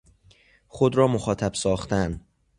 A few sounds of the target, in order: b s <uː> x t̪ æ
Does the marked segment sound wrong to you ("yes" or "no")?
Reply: yes